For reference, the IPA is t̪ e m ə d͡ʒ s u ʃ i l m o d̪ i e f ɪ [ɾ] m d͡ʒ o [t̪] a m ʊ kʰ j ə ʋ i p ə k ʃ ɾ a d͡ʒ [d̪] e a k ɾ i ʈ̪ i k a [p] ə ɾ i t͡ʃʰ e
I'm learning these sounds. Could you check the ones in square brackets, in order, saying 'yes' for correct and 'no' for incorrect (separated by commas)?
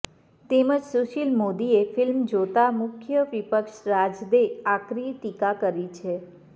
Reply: no, yes, yes, no